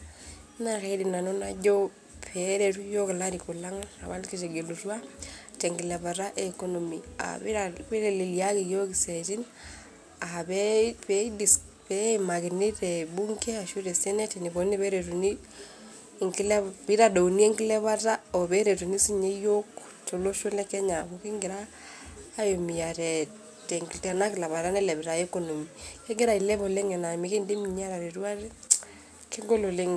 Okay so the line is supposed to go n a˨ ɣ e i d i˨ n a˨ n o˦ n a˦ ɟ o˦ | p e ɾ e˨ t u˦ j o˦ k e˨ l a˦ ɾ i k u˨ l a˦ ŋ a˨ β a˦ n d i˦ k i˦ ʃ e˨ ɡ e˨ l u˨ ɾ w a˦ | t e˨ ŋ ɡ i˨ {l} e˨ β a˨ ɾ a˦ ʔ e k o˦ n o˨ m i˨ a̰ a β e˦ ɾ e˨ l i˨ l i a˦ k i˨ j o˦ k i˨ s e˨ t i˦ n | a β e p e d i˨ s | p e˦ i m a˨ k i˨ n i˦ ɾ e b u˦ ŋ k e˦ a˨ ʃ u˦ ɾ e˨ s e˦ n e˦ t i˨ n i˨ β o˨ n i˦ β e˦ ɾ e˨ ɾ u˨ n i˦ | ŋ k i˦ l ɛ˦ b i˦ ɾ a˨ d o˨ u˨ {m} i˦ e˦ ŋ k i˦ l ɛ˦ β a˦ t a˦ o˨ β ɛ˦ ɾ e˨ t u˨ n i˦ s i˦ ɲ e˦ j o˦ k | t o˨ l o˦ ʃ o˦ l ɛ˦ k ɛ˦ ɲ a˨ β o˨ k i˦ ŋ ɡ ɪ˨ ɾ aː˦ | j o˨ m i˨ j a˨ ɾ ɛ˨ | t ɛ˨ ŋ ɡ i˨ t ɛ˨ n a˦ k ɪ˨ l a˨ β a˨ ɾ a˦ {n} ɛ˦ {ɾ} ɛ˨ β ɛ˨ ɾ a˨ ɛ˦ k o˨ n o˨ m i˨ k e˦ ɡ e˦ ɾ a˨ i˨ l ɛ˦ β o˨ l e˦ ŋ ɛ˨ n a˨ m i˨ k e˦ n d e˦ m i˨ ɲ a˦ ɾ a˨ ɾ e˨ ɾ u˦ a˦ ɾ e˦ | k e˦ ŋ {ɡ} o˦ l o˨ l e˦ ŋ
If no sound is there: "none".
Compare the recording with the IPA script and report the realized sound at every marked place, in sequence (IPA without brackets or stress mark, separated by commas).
l, n, n, l, ɡ